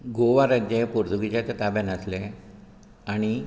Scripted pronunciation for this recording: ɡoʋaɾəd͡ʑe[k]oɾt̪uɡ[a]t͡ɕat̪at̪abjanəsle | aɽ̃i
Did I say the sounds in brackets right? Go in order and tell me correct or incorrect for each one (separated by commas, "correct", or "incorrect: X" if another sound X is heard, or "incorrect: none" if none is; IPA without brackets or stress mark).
incorrect: p, incorrect: i